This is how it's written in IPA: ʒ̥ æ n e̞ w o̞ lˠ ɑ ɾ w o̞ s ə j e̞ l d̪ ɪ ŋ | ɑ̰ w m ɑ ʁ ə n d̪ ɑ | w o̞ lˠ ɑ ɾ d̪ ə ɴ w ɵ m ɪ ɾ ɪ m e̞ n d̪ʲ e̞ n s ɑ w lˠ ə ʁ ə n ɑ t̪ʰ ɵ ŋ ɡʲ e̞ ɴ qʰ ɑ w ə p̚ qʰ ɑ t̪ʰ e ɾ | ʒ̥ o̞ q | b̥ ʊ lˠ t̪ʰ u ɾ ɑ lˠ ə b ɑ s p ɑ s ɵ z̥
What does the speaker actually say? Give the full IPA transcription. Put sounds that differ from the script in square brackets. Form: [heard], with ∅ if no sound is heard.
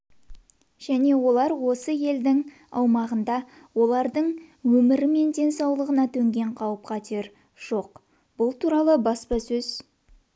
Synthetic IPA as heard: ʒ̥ æ n e̞ w o̞ lˠ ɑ ɾ w o̞ s ə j e̞ l d̪ ɪ ŋ | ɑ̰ w m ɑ ʁ ə n d̪ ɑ | w o̞ lˠ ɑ ɾ d̪ ə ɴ w ɵ m ɪ ɾ ɪ m e̞ n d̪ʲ e̞ n s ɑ w lˠ ə ʁ ə n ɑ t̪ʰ ɵ ŋ ɡʲ e̞ ɴ qʰ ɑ w ə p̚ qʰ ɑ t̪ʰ e ɾ | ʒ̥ o̞ q | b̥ ʊ lˠ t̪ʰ u ɾ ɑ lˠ ə b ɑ s p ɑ s ɵ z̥